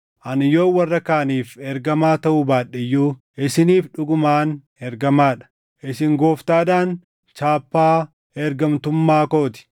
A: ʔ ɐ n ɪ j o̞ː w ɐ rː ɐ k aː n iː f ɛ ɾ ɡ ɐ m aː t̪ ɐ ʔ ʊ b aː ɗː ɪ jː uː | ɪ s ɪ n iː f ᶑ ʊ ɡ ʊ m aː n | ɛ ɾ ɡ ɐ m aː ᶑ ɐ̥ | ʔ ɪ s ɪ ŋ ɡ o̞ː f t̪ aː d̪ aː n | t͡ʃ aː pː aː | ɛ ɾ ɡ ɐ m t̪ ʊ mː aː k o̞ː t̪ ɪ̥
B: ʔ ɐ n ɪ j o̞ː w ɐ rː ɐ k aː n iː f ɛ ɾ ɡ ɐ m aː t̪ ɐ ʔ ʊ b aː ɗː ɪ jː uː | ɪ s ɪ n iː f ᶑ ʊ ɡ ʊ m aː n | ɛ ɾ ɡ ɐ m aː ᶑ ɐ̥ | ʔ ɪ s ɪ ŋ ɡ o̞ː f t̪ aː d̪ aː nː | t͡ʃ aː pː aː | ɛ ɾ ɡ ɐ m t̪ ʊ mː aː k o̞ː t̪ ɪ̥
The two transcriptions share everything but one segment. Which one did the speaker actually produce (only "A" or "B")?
A